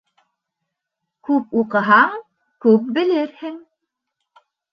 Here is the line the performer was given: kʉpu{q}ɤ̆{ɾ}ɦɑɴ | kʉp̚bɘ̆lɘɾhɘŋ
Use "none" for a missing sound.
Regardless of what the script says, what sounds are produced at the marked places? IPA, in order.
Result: q, none

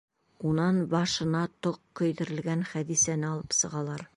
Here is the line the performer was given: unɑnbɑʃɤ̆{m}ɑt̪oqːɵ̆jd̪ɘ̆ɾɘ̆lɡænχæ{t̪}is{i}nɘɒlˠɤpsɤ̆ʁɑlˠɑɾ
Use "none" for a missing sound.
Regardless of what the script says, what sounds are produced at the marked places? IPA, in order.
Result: n, d̪, æ

